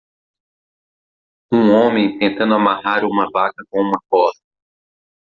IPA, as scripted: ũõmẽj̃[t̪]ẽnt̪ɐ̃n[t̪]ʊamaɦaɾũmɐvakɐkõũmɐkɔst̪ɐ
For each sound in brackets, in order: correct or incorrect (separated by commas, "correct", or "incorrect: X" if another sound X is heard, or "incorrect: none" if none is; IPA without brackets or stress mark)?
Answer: correct, incorrect: d̪